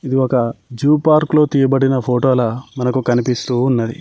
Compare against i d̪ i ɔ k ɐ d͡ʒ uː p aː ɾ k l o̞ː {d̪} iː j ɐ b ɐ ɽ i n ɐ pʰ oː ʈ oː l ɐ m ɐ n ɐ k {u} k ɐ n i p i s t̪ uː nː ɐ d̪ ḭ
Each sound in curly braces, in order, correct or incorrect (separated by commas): incorrect, correct